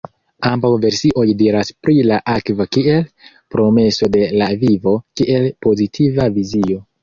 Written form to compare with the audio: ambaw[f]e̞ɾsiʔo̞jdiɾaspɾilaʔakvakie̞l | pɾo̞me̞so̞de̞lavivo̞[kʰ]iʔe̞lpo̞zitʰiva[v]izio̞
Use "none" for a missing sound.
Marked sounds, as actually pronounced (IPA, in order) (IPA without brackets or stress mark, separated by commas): v, k, v